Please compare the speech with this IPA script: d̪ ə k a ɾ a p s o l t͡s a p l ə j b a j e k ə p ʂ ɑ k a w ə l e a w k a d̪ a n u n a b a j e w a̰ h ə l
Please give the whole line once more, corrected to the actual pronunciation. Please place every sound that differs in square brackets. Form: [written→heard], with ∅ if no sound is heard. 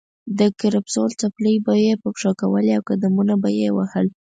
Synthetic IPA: d̪ ə k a ɾ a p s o l t͡s a p l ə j b a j e [k→p] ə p ʂ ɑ k a w ə l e a w k a d̪ a [n→m] u n a b a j e w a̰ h ə l

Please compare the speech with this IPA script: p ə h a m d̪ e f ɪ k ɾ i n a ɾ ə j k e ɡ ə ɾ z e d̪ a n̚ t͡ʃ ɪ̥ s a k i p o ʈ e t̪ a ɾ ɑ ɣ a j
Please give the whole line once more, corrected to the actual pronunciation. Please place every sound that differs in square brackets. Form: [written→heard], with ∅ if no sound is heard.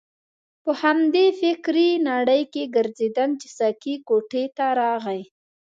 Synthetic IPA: p ə h a m d̪ e f ɪ k ɾ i n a [ɾ→ɽ] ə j k e ɡ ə ɾ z e d̪ a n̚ t͡ʃ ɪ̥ s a k i [p→k] o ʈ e t̪ a ɾ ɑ ɣ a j

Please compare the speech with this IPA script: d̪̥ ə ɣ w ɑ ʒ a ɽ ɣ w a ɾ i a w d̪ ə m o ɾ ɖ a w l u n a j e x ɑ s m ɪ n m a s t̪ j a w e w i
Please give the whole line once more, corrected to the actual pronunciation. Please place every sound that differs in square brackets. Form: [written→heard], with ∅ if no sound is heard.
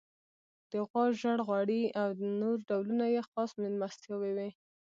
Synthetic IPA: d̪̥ ə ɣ w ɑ ʒ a ɽ ɣ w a [ɾ→ɽ] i a w d̪ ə [m→n] o ɾ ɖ a w l u n a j e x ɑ s m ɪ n m a s t̪ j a w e w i

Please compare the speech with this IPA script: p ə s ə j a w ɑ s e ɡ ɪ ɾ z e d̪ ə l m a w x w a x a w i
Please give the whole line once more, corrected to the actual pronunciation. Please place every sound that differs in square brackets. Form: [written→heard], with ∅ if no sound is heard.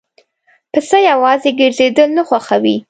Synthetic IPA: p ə s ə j a w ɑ [s→z] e ɡ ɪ ɾ z e d̪ ə l [m→n] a [w→∅] x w a x a w i

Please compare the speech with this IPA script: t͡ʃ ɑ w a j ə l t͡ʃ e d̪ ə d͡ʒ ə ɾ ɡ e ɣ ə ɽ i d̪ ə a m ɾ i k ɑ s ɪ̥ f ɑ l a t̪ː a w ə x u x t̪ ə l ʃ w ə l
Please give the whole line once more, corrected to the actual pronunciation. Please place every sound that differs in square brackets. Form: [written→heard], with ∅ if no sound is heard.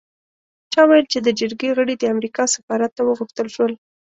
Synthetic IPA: t͡ʃ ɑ w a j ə l t͡ʃ e d̪ ə d͡ʒ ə ɾ ɡ e ɣ ə ɽ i d̪ ə a m ɾ i k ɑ s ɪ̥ f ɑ [l→ɾ] a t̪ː a w ə [x→ɣ] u x t̪ ə l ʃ w ə l

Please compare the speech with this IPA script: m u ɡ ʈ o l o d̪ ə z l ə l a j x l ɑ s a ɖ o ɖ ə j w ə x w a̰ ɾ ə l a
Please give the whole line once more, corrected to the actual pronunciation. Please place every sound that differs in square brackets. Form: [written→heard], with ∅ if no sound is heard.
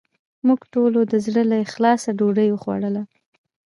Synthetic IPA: m u ɡ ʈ o l o d̪ ə z [l→ɽ] ə l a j x l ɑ s a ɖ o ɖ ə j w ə x w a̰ [ɾ→ɽ] ə l a

